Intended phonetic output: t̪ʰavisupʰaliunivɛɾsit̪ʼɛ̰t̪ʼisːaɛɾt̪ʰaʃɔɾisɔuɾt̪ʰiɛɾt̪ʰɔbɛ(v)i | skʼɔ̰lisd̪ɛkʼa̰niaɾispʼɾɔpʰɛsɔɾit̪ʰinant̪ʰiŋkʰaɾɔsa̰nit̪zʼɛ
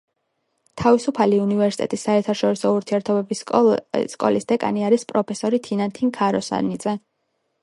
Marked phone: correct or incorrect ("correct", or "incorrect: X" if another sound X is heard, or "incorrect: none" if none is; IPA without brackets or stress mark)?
incorrect: b